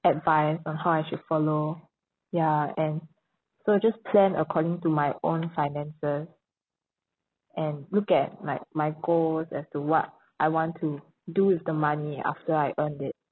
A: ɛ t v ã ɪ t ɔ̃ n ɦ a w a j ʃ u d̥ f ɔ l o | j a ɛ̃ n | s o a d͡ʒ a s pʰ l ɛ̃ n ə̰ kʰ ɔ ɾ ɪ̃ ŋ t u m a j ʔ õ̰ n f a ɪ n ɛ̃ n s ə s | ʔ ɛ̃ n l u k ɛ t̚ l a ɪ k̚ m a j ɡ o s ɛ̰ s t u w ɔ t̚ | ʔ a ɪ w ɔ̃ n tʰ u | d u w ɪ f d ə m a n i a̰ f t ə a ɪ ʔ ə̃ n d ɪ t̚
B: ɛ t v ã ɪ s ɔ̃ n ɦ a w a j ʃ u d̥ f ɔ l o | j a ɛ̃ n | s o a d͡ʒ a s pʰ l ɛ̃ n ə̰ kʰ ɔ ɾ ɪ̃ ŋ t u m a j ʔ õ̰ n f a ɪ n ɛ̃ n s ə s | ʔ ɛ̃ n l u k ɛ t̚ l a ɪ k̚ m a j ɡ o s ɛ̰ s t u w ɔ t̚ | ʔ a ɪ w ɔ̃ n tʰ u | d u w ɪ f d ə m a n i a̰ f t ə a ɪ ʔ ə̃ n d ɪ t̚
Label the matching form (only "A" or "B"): B